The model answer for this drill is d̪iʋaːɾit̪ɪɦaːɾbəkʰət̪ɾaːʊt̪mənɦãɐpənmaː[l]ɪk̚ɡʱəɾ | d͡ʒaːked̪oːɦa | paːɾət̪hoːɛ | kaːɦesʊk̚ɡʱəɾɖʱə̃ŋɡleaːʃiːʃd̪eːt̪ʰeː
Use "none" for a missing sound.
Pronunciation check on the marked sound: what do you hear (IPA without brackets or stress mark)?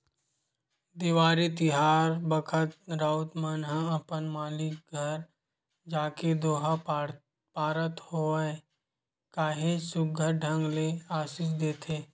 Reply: l